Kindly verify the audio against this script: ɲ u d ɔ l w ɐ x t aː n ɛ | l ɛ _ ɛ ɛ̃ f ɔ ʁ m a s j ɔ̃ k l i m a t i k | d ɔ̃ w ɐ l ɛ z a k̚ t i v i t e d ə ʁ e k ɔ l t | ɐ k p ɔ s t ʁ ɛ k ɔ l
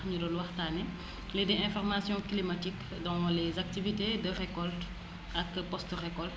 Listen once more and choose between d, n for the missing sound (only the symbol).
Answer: d